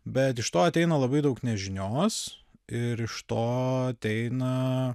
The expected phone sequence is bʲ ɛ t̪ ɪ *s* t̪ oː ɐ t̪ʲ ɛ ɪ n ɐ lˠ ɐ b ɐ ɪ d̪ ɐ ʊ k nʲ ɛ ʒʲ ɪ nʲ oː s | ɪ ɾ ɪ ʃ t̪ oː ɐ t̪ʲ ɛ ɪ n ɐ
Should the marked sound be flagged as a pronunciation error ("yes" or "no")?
yes